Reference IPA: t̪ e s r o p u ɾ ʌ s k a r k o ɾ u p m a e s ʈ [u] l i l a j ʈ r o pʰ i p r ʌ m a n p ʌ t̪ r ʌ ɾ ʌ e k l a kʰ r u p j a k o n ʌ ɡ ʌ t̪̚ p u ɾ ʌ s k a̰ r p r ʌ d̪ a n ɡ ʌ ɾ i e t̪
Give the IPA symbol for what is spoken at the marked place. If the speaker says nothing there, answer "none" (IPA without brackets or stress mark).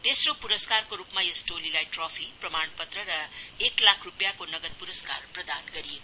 o